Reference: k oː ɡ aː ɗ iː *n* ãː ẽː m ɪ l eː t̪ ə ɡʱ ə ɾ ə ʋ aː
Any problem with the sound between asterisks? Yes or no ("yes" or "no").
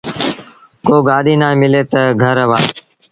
no